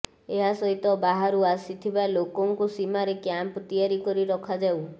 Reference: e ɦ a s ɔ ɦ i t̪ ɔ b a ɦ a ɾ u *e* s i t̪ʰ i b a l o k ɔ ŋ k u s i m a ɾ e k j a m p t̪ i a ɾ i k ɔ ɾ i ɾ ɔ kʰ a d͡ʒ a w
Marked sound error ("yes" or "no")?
yes